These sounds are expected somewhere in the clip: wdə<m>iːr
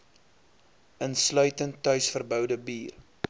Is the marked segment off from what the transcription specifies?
yes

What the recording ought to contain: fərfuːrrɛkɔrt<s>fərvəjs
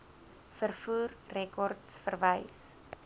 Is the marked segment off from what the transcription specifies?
no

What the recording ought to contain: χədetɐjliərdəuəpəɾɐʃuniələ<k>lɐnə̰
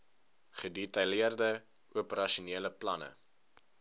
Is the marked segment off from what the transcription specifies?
yes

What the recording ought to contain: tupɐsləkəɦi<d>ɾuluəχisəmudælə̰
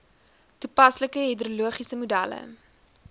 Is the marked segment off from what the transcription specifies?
no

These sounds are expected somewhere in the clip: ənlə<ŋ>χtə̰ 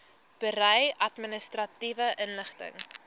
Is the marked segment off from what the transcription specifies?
yes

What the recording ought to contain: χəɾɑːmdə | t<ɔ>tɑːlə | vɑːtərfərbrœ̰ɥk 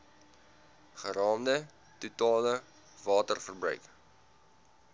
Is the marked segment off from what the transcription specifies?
yes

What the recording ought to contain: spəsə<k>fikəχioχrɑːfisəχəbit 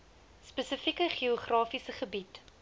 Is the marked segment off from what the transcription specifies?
yes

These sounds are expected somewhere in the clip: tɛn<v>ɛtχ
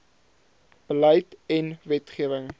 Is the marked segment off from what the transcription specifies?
no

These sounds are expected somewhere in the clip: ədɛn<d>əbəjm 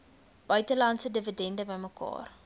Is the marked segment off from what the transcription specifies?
no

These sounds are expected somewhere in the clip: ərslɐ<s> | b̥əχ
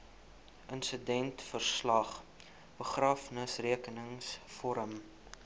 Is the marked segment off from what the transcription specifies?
yes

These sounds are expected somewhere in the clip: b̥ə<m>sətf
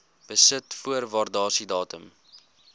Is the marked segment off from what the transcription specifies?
yes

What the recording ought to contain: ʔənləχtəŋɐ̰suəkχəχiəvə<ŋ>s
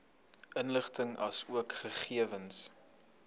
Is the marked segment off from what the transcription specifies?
yes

